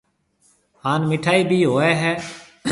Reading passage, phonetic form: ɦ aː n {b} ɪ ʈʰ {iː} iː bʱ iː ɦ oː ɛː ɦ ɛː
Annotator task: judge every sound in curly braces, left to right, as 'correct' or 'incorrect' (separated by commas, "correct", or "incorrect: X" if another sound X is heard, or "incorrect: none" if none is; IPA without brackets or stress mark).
incorrect: m, incorrect: aː